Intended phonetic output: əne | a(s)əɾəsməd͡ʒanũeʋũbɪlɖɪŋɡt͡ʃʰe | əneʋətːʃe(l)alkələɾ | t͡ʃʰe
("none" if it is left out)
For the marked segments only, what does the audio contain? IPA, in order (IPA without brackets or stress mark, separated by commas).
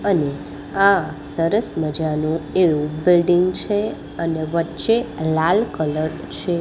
s, l